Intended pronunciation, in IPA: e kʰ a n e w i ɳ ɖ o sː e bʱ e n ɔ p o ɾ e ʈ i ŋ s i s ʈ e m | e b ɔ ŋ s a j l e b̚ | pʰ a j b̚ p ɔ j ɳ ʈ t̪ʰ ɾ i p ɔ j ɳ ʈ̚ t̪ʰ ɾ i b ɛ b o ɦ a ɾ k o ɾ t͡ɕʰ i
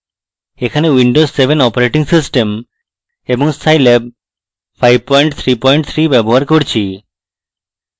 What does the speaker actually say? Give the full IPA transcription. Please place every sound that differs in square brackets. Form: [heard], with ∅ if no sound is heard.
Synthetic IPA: e kʰ a n e w i ɳ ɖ o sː e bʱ e n ɔ p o ɾ e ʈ i ŋ s i s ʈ e m | e b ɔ ŋ s a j l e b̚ | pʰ a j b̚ p ɔ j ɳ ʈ t̪ʰ ɾ i p ɔ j ɳ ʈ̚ t̪ʰ ɾ i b ɛ b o ɦ a ɾ k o ɾ t͡ɕʰ i